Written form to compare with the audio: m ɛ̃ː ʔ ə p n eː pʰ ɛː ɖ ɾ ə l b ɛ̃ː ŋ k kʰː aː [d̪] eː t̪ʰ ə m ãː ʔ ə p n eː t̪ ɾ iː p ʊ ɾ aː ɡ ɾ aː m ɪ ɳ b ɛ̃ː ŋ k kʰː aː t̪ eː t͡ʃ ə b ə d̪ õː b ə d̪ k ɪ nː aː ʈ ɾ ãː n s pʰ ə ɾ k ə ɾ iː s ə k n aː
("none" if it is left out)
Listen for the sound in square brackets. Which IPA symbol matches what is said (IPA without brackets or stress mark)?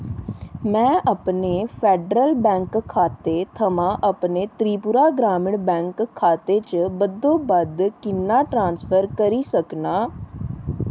t̪